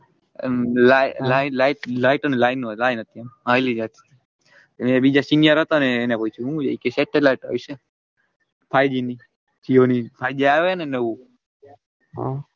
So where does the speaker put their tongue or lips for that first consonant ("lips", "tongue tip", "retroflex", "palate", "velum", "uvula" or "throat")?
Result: tongue tip